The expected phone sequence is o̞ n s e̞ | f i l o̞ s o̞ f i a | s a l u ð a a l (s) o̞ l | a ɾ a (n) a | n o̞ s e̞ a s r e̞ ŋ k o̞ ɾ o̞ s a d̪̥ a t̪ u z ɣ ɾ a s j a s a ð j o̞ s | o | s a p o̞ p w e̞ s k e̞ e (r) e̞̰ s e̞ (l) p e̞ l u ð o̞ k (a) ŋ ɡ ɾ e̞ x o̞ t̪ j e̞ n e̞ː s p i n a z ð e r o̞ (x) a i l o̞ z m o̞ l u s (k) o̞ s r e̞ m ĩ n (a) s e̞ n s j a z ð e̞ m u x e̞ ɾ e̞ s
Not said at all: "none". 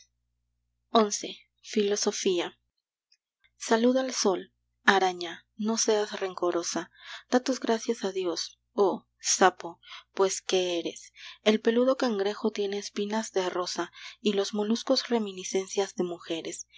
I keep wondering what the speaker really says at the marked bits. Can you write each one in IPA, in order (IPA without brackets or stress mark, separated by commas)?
s, ɲ, ɾ, l, a, s, k, i